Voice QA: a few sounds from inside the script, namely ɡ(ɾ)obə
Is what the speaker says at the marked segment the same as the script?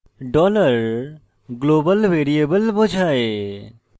no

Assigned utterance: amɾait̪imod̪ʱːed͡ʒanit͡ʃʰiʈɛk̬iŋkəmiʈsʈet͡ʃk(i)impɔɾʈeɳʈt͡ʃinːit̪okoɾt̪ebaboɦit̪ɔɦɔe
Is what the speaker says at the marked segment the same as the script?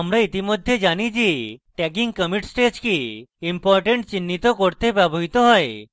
yes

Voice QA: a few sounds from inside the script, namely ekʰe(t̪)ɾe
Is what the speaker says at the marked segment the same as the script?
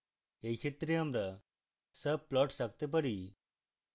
yes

